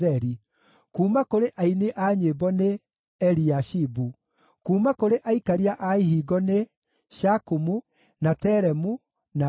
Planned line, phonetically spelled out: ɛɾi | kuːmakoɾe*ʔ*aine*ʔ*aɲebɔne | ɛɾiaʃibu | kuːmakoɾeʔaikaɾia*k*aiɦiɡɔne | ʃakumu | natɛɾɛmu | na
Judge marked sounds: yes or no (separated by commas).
yes, yes, no